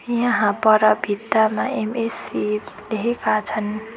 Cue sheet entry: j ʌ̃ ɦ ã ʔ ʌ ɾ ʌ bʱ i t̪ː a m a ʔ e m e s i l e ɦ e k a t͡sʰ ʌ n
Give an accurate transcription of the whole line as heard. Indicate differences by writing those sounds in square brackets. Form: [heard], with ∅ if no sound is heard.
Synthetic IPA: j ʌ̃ ɦ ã [p] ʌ ɾ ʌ bʱ i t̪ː a m a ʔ e m e s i l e ɦ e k a t͡sʰ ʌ n